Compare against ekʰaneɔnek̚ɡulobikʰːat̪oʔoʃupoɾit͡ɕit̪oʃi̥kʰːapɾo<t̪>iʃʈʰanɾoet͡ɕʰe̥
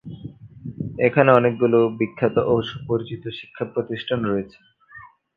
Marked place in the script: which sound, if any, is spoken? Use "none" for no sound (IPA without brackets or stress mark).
t̪